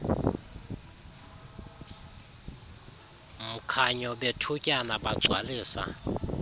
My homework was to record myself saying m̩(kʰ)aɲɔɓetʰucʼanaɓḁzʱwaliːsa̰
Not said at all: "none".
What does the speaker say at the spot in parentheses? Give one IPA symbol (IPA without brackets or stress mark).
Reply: kʰ